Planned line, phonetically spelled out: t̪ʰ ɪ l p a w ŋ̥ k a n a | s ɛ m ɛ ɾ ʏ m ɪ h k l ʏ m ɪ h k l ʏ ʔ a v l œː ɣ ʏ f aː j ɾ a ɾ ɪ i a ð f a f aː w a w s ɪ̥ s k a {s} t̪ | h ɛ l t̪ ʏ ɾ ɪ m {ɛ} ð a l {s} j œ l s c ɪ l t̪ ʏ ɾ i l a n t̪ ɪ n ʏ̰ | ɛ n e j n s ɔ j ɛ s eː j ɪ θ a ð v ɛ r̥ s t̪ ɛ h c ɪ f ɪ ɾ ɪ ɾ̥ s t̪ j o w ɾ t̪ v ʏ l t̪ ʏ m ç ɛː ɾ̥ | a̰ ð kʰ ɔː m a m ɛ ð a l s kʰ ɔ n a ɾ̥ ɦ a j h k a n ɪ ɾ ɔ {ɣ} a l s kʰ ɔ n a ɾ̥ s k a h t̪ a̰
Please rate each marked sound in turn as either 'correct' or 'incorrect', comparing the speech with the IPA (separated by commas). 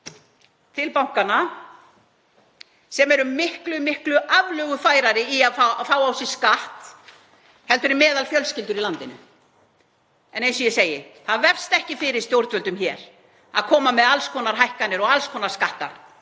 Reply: incorrect, incorrect, incorrect, correct